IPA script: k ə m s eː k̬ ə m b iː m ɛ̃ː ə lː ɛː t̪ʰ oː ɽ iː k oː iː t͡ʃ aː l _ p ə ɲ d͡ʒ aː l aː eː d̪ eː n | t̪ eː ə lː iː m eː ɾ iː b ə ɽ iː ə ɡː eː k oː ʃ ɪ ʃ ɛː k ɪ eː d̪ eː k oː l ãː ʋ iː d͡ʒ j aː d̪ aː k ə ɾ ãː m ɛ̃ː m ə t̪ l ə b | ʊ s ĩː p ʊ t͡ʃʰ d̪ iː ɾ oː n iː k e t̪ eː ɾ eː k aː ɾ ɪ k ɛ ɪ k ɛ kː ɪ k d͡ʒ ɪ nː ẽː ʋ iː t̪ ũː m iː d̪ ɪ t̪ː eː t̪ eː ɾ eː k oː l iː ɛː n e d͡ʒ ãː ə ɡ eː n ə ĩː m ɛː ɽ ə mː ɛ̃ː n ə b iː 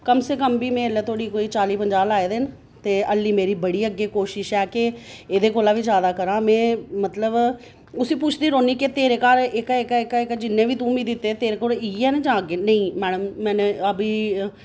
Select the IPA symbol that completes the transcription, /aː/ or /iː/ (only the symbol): iː